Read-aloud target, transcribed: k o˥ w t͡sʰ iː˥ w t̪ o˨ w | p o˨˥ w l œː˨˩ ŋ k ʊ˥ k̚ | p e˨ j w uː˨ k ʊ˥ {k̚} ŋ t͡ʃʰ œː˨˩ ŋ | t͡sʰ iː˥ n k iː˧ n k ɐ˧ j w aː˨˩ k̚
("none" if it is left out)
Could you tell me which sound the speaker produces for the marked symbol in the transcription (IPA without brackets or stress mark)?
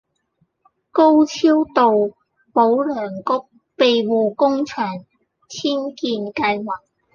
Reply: none